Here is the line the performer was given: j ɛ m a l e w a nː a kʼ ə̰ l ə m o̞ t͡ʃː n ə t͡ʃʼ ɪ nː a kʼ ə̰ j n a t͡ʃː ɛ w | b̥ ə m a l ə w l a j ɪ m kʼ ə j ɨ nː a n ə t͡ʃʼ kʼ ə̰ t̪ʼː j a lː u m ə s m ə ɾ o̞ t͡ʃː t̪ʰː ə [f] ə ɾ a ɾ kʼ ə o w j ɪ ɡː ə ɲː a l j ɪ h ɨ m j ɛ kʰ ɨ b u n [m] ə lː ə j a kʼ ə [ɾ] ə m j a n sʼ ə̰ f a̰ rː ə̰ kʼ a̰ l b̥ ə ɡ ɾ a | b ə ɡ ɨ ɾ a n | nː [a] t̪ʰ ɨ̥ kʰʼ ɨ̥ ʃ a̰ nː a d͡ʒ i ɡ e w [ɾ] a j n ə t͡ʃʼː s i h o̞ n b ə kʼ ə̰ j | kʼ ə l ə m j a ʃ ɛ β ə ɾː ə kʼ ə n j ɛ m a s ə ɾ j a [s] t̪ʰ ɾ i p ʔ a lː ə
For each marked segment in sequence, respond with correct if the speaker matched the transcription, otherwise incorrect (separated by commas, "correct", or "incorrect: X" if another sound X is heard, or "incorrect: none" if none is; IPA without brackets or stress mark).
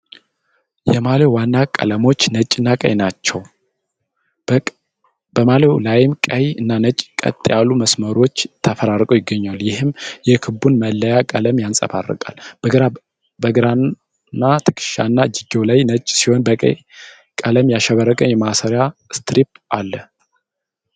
correct, correct, incorrect: l, correct, incorrect: l, correct